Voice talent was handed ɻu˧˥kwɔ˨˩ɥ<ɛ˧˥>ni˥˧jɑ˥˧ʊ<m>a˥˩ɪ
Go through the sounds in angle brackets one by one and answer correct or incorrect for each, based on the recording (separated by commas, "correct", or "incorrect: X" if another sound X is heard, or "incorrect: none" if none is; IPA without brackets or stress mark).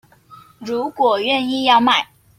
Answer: incorrect: ɛ˥˧˨, correct